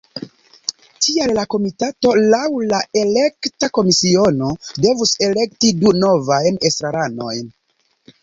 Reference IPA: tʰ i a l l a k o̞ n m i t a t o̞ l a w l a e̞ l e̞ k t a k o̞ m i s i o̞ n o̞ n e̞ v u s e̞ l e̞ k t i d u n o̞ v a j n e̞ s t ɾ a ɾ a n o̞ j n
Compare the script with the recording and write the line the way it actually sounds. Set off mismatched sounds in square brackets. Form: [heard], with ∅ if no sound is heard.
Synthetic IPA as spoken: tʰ i a l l a k o̞ [∅] m i t a t o̞ l a w l a e̞ l e̞ k t a k o̞ m i s i o̞ n o̞ [d] e̞ v u s e̞ l e̞ k t i d u n o̞ v a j n e̞ s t ɾ a ɾ a n o̞ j n